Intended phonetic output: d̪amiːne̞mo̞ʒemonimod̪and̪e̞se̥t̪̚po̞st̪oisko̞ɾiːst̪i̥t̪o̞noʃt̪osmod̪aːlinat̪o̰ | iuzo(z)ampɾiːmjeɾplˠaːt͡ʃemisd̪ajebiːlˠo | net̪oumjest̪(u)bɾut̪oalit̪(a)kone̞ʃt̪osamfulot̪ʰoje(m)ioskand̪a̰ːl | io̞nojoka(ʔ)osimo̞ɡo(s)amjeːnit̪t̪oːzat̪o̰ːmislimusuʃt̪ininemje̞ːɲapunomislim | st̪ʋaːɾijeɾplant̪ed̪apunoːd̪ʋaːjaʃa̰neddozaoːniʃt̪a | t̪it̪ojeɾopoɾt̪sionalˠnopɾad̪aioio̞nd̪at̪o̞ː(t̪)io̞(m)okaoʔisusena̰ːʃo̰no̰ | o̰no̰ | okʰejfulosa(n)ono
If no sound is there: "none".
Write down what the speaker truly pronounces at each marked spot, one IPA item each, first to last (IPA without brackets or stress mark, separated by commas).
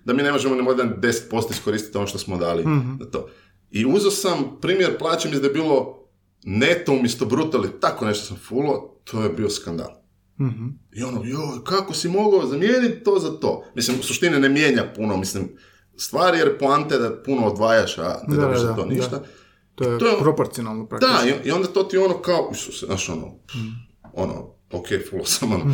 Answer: s, o, a, b, k, z, t̪, n, m